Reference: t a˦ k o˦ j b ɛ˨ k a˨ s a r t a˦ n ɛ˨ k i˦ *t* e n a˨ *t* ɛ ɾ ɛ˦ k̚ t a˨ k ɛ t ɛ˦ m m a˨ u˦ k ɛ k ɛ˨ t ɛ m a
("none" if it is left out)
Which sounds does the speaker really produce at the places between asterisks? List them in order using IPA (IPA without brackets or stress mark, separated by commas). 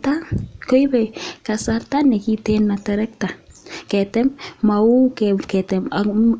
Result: t, t